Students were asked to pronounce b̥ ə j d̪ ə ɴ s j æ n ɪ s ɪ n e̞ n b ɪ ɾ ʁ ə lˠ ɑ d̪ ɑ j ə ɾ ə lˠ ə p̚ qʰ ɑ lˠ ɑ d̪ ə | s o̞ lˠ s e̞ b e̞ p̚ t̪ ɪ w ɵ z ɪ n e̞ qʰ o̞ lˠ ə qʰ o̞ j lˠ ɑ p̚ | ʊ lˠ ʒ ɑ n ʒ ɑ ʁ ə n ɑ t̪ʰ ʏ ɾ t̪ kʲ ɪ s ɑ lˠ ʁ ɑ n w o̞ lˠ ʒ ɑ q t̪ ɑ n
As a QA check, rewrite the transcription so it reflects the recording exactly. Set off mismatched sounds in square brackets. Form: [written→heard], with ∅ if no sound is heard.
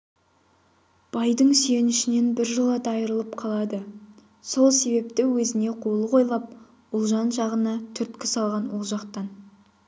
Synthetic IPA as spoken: b̥ [ə→ɑ] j d̪ ə ɴ s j [æ→e] n ɪ [s→ʃ] ɪ n e̞ n b ɪ ɾ [ʁ→ʒ] ə lˠ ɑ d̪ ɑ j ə ɾ ə lˠ ə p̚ qʰ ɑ lˠ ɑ d̪ ə | s o̞ lˠ s e̞ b e̞ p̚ t̪ ɪ w ɵ z ɪ n e̞ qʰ o̞ lˠ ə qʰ o̞ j lˠ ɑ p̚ | ʊ lˠ ʒ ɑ n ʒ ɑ ʁ ə n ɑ t̪ʰ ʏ ɾ t̪ kʲ ɪ s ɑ lˠ ʁ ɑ n w o̞ lˠ ʒ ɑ q t̪ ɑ n